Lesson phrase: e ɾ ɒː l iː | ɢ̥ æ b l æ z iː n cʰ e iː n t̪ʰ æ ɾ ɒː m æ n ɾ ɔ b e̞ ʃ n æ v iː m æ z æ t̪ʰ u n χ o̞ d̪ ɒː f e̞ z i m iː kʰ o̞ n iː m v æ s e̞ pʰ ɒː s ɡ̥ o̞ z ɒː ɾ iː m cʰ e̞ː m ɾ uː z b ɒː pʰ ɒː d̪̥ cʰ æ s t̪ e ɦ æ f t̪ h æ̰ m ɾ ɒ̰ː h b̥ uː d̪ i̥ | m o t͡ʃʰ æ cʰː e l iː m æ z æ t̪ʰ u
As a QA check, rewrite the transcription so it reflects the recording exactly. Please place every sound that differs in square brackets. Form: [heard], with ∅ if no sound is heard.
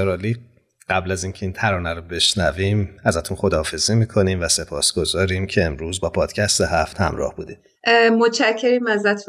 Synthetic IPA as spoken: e ɾ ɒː l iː | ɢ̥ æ b l æ z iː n cʰ e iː n t̪ʰ æ ɾ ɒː [n] æ [∅] ɾ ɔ b e̞ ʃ n æ v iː m æ z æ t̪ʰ u n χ o̞ d̪ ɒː f e̞ z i m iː kʰ o̞ n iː m v æ s e̞ pʰ ɒː s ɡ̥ o̞ z ɒː ɾ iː m cʰ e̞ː m ɾ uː z b ɒː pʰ ɒː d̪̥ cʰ æ s t̪ e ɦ æ f t̪ h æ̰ m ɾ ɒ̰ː h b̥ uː d̪ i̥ | m o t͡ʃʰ æ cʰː e [ɾ] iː m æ z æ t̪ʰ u